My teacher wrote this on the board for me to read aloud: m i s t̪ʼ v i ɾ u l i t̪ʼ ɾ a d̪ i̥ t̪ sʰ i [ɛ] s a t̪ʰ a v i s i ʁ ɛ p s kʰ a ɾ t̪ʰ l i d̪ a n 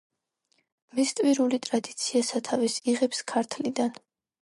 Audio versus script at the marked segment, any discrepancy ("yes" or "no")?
yes